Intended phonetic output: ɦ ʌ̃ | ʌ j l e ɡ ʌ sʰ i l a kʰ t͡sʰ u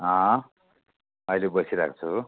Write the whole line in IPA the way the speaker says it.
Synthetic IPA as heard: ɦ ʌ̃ | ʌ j l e b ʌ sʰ i ɾ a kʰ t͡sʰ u